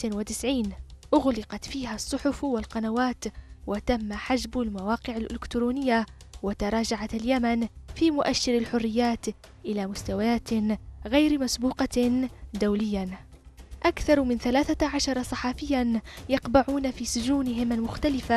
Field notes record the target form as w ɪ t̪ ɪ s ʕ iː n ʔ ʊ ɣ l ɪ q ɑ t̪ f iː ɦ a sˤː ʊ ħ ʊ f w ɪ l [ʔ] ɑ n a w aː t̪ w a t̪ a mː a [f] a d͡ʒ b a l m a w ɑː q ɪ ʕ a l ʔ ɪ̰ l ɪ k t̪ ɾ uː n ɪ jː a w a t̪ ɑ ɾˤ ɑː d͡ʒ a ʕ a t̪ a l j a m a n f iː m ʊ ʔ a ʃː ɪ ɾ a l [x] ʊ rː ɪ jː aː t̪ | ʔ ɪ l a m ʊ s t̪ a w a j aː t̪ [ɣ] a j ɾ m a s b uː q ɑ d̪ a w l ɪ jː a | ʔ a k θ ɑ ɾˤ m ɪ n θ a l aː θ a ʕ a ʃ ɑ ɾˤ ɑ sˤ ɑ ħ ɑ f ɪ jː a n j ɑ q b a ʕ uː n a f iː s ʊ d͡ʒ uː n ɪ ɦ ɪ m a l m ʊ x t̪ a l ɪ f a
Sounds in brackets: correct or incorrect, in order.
incorrect: q, incorrect: ħ, incorrect: ħ, correct

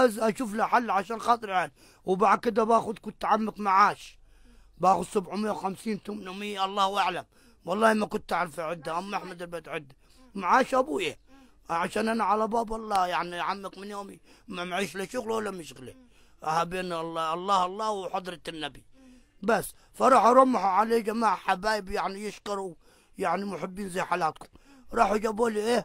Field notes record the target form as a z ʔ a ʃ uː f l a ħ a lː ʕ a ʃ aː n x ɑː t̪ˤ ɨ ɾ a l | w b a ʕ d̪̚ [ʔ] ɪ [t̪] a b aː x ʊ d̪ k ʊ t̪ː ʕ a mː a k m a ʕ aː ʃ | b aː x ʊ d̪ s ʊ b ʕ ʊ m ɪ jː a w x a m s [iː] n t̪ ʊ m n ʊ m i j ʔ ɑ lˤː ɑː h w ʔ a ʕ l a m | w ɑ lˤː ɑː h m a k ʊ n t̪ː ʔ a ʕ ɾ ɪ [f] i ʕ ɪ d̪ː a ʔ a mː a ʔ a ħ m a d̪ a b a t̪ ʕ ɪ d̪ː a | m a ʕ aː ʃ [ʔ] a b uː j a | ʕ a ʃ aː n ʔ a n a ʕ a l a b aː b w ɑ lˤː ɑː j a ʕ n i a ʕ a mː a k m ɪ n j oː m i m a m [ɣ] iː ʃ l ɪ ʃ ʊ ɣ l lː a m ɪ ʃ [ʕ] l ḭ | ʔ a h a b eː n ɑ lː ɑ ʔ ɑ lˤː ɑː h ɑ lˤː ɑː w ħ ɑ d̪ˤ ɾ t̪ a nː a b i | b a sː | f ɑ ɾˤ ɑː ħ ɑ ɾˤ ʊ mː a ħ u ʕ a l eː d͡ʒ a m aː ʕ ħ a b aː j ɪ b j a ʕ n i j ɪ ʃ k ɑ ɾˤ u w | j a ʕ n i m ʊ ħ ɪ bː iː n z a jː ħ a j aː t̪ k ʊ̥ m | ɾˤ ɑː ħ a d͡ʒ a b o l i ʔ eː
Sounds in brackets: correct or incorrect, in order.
incorrect: k, incorrect: d̪, correct, correct, correct, incorrect: ʕ, incorrect: ɣ

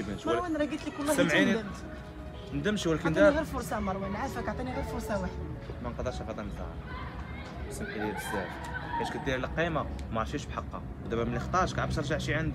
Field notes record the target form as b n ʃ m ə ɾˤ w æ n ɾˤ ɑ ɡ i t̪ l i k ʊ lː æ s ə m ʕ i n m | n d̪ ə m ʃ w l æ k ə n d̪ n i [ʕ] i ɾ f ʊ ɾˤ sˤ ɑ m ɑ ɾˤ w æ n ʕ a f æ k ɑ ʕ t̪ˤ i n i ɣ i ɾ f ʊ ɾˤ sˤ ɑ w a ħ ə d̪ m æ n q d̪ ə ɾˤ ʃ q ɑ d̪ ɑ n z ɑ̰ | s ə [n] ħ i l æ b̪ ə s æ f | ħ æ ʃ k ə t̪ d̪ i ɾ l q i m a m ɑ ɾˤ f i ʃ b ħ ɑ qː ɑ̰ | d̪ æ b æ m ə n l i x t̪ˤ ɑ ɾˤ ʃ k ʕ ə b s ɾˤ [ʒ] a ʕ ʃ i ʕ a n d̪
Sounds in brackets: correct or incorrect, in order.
incorrect: ɣ, incorrect: m, correct

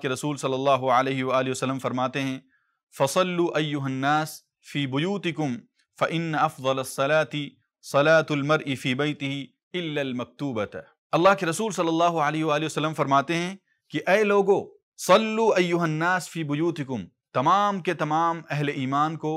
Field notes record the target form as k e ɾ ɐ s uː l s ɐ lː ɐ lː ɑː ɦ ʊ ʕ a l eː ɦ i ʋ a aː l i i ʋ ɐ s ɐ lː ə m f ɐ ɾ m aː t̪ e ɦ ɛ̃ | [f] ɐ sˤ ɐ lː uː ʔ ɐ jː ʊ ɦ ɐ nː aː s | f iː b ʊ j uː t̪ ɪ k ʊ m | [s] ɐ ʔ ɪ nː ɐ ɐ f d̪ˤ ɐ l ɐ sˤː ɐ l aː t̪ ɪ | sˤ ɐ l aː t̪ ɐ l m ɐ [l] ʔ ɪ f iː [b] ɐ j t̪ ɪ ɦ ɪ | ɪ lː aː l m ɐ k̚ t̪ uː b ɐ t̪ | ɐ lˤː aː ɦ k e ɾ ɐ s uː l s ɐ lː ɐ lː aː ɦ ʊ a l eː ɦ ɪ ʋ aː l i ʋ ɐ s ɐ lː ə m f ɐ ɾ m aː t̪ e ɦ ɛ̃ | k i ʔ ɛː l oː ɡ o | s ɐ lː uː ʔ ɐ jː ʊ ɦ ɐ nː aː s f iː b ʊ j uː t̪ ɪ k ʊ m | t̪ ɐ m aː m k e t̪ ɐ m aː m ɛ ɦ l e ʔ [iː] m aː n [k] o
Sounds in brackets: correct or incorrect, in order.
correct, incorrect: f, incorrect: ɾ, correct, correct, correct

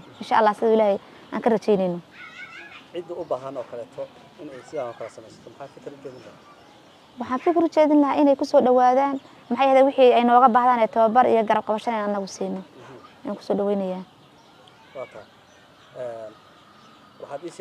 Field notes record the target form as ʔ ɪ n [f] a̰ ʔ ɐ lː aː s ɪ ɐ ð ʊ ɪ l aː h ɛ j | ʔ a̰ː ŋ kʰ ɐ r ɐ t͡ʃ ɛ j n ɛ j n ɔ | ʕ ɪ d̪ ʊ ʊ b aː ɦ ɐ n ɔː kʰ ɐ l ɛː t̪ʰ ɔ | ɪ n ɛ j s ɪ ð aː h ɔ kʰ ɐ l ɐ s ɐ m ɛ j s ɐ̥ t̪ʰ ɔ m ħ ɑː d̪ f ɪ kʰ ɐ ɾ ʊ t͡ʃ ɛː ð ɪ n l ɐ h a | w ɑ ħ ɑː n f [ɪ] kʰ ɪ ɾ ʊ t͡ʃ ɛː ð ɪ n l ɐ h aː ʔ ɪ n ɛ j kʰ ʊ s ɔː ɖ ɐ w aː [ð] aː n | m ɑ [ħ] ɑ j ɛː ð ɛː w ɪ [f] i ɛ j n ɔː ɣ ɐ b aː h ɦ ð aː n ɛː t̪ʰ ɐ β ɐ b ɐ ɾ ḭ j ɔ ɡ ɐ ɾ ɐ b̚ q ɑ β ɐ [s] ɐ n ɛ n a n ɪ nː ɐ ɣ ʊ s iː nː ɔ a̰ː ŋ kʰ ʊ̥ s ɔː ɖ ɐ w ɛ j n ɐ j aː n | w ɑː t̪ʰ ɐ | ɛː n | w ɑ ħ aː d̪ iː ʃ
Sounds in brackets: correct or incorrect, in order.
incorrect: ʃ, correct, correct, correct, incorrect: ħ, incorrect: ʃ

